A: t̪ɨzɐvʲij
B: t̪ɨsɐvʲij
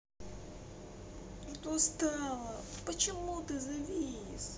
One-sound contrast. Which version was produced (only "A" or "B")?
A